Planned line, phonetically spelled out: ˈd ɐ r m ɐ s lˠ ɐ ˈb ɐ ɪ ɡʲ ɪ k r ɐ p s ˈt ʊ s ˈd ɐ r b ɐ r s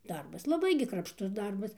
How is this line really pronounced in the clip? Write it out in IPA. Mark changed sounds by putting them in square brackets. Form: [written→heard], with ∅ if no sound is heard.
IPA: ˈd ɐ r [m→b] ɐ s lˠ ɐ ˈb ɐ ɪ ɡʲ ɪ k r ɐ p [s→ʃ] ˈt ʊ s ˈd ɐ r b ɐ [r→∅] s